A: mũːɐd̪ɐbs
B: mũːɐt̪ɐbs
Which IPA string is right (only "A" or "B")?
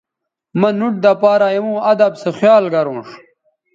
A